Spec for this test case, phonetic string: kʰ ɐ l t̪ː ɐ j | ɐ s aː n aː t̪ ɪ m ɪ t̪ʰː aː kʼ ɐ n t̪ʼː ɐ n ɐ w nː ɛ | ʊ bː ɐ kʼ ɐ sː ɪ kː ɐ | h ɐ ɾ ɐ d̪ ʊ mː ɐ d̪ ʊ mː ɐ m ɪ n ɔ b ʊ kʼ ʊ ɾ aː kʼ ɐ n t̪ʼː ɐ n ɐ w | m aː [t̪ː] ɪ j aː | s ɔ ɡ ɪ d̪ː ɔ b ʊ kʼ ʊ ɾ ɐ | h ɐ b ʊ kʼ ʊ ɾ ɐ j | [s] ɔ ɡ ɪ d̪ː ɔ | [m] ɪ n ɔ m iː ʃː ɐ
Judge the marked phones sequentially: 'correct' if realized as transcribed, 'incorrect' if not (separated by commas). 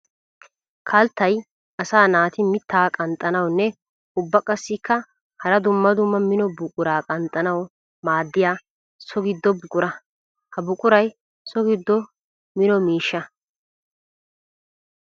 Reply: incorrect, correct, correct